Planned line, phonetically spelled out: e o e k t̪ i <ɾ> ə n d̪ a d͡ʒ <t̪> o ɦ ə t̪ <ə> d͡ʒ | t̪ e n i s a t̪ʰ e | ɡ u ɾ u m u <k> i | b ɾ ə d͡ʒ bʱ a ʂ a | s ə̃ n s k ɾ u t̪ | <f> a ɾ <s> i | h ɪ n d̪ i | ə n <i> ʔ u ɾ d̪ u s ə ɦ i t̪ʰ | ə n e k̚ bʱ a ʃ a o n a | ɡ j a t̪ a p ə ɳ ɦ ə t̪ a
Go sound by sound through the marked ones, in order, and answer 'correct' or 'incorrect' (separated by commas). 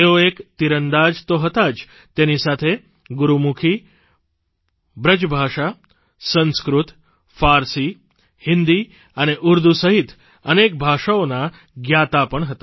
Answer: correct, correct, incorrect, incorrect, correct, correct, incorrect